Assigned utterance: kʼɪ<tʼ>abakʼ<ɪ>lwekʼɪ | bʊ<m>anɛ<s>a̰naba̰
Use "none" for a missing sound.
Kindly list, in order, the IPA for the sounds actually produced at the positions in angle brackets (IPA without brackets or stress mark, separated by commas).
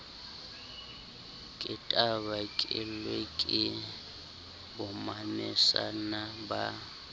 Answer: tʼ, ɪ, m, s